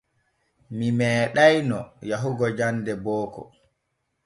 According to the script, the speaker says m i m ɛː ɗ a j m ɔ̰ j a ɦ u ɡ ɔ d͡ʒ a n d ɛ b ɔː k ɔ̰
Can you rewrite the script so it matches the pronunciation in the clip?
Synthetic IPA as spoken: m i m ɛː ɗ a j n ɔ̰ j a ɦ u ɡ ɔ d͡ʒ a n d ɛ b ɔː k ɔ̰